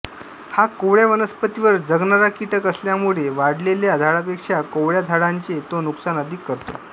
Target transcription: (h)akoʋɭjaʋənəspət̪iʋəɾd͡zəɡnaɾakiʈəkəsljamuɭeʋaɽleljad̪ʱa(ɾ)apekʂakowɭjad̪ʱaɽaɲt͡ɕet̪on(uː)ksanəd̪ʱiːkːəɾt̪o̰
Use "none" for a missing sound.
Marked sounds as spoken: h, ɽ, u

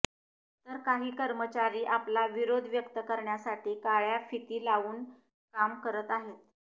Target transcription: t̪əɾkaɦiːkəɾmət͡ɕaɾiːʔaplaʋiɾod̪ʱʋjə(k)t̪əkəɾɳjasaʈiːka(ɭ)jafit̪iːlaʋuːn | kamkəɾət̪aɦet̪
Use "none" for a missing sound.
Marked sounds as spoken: k, ɭ

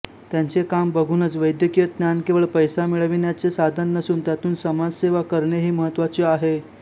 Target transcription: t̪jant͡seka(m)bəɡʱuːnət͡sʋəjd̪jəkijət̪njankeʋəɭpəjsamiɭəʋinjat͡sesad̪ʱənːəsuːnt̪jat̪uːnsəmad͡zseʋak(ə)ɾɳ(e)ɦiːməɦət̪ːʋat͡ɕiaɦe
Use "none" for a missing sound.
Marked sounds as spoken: m, ə, e

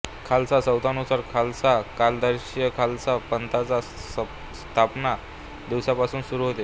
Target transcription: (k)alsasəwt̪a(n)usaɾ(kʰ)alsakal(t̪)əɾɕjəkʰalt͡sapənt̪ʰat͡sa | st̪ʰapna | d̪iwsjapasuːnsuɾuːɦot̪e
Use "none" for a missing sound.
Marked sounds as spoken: kʰ, n, kʰ, d̪

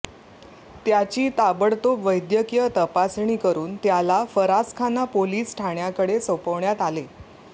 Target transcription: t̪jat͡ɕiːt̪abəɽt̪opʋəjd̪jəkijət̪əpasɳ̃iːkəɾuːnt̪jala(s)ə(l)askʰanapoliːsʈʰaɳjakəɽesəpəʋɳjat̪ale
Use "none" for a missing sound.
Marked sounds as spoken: f, ɾ

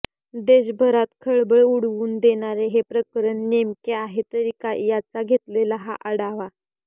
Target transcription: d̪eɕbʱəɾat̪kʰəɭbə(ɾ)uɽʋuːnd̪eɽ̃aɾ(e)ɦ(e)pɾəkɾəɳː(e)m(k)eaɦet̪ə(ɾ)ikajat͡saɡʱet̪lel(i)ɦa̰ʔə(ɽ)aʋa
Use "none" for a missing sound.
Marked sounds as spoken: ɭ, e, e, e, k, ɾ, a, ɽ

